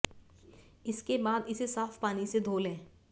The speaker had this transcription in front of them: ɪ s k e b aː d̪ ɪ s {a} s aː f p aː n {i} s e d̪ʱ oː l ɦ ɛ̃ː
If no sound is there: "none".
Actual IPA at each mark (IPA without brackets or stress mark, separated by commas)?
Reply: e, i